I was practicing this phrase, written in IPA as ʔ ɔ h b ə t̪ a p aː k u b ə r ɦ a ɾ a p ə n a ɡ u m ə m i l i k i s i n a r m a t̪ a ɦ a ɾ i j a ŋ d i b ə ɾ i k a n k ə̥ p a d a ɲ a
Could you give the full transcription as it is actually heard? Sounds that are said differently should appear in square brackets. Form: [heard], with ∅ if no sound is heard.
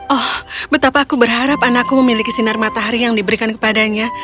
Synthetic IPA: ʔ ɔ h b ə t̪ a p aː k u b ə r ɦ a ɾ a p [a] n a [k] u m ə m i l i k i s i n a r m a t̪ a ɦ a ɾ i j a ŋ d i b ə ɾ i k a n k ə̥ p a d a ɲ a